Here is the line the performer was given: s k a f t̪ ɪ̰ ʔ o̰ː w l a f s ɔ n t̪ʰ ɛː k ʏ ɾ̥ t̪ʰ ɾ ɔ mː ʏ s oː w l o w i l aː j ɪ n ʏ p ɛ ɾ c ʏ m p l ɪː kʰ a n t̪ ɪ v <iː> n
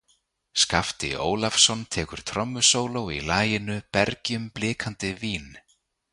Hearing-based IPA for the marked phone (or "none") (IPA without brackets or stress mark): iː